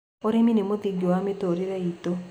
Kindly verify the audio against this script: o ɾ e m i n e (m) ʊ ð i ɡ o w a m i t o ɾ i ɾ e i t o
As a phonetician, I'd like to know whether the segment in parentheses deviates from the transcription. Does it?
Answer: no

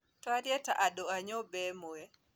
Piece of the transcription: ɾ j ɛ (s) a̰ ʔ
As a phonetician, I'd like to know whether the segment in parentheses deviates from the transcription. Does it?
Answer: yes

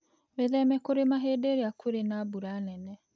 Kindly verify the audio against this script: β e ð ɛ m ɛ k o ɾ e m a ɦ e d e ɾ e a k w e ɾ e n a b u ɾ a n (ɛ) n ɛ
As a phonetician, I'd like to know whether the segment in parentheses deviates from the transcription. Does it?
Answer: no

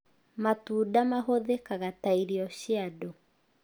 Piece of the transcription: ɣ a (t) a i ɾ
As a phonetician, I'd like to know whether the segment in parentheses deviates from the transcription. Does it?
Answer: no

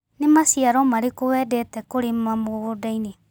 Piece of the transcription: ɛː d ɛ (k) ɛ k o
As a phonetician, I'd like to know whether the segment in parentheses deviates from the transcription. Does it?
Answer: yes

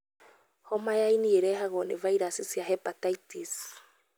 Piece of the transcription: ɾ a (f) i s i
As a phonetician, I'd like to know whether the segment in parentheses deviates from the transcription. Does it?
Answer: yes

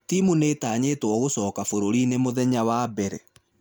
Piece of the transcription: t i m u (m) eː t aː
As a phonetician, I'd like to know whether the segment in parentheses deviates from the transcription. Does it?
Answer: yes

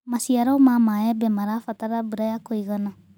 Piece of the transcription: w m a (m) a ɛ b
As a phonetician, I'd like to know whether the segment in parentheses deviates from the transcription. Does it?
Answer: no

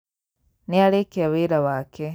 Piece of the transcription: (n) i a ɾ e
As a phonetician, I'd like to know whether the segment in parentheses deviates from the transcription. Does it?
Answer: no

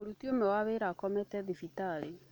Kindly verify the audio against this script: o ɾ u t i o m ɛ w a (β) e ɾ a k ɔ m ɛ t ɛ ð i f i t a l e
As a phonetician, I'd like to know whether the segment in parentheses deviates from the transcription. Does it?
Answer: no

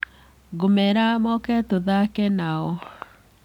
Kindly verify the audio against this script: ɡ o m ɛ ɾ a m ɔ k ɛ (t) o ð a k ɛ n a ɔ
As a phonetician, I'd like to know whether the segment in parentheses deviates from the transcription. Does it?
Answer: no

